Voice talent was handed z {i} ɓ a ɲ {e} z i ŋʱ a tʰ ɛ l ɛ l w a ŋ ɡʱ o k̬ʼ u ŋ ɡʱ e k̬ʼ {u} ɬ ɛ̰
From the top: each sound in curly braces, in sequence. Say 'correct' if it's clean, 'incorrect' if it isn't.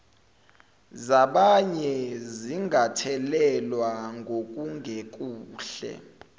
incorrect: a, incorrect: ɛ, incorrect: uː

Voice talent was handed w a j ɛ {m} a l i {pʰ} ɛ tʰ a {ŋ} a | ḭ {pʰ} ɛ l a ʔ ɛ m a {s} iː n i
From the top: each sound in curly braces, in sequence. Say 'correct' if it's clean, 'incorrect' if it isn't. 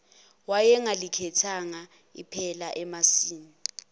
incorrect: ŋ, incorrect: kʰ, correct, correct, correct

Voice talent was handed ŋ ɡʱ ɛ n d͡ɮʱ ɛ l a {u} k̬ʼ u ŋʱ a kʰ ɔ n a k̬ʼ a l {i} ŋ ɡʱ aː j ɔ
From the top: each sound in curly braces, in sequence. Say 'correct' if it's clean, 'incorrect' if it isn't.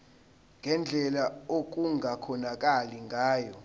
incorrect: o, correct

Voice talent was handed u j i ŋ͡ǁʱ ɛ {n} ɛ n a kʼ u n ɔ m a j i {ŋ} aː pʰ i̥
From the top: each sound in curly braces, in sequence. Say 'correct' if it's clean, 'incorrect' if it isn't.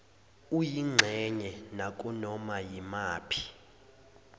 incorrect: ɲ, incorrect: m

